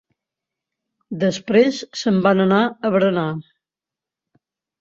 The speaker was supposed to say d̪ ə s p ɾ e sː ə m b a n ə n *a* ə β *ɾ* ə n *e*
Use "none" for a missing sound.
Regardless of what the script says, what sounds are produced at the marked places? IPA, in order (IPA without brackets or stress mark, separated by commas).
a, ɾ, a